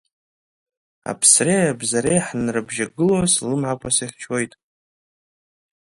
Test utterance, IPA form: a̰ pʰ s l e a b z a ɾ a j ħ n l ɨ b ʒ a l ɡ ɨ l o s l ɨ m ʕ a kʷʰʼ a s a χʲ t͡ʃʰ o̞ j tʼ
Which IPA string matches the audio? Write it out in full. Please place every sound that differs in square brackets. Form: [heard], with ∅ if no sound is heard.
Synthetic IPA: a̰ pʰ s [r] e a b z a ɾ [e] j ħ n [r] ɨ b ʒ a [∅] ɡ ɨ l o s l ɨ m ʕ a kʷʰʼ a s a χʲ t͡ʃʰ o̞ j tʼ